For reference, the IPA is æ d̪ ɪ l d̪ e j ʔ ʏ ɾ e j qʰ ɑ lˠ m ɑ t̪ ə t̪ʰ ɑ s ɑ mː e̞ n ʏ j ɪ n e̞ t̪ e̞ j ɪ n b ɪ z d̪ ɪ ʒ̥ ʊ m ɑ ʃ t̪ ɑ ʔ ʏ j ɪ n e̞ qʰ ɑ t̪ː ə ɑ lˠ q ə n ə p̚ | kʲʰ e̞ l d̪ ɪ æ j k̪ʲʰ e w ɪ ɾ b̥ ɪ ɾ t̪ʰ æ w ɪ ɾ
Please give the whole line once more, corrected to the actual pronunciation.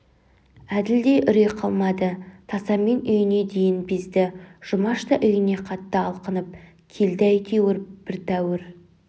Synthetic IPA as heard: æ d̪ ɪ l d̪ e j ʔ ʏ ɾ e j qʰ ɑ lˠ m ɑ d̪ ə t̪ʰ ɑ s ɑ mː e̞ n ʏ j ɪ n e̞ d̪ e̞ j ɪ n b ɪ z d̪ ɪ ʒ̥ ʊ m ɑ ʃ t̪ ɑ ʔ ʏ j ɪ n e̞ qʰ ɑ t̪ː ə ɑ lˠ q ə n ə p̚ | kʲʰ e̞ l d̪ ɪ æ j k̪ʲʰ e w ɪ ɾ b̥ ɪ ɾ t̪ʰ æ w ɪ ɾ